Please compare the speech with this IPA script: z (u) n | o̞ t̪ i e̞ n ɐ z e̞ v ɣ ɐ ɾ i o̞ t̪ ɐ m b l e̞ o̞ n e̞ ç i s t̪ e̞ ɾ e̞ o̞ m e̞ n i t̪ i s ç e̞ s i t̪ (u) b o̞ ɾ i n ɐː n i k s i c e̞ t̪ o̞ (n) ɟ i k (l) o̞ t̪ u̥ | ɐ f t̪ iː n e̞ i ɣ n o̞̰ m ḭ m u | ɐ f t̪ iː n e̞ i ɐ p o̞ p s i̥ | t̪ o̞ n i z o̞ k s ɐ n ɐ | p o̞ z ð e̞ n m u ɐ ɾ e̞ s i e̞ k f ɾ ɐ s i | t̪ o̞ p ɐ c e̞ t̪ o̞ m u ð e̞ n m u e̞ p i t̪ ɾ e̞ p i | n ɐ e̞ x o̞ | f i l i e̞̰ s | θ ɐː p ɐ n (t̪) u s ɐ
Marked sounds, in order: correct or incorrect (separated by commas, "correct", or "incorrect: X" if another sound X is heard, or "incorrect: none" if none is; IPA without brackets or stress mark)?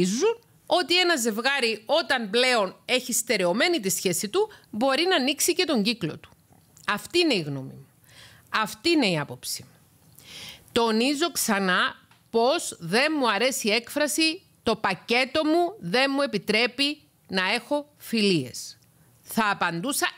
correct, correct, incorrect: ɲ, correct, incorrect: d̪